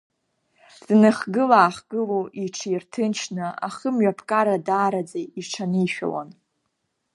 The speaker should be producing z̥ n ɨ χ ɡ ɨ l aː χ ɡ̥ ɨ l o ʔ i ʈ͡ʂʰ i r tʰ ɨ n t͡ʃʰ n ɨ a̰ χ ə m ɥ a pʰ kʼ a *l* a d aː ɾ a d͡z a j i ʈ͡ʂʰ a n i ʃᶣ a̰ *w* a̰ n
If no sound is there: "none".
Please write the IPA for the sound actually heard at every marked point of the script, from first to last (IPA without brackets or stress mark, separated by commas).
ɾ, w